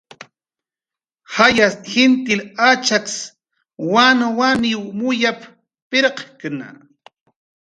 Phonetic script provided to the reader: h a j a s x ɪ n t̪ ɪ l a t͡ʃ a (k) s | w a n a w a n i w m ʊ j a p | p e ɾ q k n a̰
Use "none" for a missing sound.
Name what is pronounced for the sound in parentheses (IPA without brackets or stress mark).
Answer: k